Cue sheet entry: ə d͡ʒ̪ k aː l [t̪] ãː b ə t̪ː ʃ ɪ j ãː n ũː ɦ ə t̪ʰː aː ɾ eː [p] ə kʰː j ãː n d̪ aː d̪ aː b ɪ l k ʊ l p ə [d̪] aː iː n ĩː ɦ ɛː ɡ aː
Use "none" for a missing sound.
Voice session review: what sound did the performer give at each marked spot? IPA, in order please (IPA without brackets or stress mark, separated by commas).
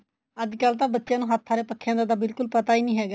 t̪, p, t̪